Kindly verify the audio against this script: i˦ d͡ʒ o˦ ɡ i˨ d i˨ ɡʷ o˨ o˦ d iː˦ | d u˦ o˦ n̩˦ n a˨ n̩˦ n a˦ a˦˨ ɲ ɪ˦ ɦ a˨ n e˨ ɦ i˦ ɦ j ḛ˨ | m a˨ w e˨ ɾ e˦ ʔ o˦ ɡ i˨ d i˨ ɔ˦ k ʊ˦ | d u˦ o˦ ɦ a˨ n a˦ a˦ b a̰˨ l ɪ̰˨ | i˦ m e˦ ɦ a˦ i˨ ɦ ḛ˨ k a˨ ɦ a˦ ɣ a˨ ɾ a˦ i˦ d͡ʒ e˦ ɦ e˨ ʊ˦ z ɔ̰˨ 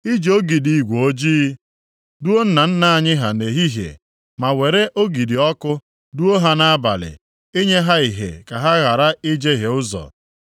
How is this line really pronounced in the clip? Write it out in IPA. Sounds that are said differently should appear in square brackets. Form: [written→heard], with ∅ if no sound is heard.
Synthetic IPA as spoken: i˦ d͡ʒ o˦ ɡ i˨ d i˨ ɡʷ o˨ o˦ [d→d͡ʒ] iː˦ | d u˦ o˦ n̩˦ n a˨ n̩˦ n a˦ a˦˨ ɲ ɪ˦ ɦ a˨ n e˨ ɦ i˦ ɦ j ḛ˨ | m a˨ w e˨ ɾ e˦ ʔ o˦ ɡ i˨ d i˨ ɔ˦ k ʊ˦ | d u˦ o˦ ɦ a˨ n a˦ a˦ b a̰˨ l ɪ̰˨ | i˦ [m→ɲ] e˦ ɦ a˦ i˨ ɦ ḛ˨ k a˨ ɦ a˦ ɣ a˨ ɾ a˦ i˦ d͡ʒ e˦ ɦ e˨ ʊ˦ z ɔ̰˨